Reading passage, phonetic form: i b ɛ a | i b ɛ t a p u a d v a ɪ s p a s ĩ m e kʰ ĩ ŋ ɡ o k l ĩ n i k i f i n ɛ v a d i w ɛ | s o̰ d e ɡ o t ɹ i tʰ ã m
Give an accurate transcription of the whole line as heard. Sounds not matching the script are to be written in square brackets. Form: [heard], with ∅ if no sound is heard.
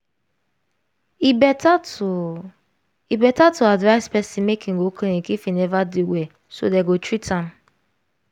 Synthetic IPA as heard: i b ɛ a | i b ɛ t a [t] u a d v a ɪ s p [ɛ] s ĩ m e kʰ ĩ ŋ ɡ o k l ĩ n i k i f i n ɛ v a d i w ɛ | s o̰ d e ɡ o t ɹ i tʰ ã m